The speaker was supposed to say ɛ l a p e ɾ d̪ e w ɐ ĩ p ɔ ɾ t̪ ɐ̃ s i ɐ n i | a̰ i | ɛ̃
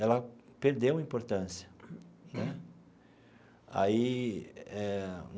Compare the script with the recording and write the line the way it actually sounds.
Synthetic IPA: ɛ l ɐ p e ɾ d̪ e w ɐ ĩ p o ɾ t̪ ɐ̃ s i ɐ n ɛ | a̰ i | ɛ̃